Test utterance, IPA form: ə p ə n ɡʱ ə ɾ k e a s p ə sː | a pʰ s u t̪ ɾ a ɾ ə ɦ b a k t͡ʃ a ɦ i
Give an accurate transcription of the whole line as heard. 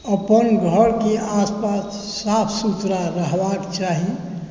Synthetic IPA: ə p ə n ɡʱ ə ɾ k e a s p a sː | a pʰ s u t̪ ɾ a ɾ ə ɦ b a k t͡ʃ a ɦ i